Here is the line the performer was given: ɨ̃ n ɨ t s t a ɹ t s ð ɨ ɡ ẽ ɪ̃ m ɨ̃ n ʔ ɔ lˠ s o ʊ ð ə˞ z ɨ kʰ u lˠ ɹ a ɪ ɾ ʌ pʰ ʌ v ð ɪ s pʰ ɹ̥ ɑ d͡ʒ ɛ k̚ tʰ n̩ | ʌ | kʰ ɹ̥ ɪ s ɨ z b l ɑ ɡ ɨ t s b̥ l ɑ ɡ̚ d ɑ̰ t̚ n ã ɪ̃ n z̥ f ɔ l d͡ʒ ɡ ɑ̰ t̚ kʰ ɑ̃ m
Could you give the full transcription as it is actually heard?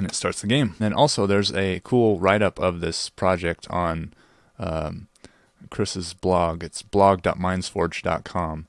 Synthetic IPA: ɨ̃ n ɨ t s t ɑ ɹ t s ð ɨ ɡ ẽ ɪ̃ m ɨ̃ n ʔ ɔ lˠ s o ʊ ð ə˞ z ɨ kʰ u lˠ ɹ a ɪ ɾ ʌ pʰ ʌ v ð ɪ s pʰ ɹ̥ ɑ d͡ʒ ɛ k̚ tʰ n̩ | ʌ | kʰ ɹ̥ ɪ s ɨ z b l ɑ ɡ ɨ t s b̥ l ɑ ɡ̚ d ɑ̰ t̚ m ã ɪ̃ n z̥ f ɔ ɹ d͡ʒ d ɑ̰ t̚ kʰ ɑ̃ m